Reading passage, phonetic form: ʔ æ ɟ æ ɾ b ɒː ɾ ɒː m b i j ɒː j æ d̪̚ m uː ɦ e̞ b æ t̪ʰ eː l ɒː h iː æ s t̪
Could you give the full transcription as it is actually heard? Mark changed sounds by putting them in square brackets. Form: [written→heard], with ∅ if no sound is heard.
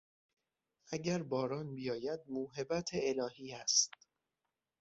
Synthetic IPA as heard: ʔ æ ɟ æ ɾ b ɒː ɾ ɒː [m→n] b i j ɒː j æ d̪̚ m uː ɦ e̞ b æ t̪ʰ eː l ɒː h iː æ s t̪